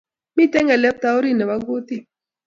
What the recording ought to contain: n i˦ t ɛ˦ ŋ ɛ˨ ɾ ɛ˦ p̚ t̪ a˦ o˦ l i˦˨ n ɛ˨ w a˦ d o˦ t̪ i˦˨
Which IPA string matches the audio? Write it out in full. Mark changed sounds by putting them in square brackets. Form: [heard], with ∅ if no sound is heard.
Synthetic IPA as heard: [m] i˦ t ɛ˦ ŋ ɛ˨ [l] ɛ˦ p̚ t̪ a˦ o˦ [ɾ] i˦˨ n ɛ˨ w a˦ [ɡ] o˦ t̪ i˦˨

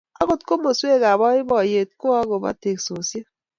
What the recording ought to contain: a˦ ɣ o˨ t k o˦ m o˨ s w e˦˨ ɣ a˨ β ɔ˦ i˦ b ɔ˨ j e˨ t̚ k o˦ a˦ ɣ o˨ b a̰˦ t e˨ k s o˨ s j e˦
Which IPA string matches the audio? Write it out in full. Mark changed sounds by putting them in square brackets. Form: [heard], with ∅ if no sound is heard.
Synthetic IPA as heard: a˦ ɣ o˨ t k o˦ m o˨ s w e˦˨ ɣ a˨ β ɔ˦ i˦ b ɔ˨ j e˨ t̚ k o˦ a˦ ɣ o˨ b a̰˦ t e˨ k s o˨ s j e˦

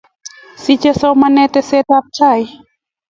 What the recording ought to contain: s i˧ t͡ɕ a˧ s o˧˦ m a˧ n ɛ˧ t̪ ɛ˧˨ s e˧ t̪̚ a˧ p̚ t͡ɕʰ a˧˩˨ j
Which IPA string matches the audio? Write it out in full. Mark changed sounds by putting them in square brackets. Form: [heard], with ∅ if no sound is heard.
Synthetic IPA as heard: s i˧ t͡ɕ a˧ s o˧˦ m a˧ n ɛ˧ t̪ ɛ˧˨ s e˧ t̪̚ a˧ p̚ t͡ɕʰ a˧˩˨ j

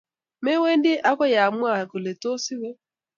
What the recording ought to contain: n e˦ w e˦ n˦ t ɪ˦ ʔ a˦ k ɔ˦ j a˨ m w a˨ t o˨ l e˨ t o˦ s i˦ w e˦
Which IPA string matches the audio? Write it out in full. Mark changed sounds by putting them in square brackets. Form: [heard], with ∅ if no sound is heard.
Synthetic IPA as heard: [m] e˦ w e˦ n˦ [d] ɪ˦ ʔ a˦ k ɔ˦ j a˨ m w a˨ [k] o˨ l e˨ t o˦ s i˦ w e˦

